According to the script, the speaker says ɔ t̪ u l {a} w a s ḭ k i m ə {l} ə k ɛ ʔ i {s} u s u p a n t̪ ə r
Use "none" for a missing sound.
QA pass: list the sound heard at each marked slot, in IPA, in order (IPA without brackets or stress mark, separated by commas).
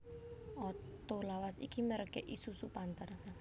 a, ɾ, s